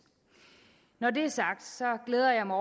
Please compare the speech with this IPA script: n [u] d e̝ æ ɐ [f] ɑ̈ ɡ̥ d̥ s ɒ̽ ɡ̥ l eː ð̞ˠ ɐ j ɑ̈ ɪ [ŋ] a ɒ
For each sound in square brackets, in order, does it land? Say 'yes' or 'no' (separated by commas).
no, no, no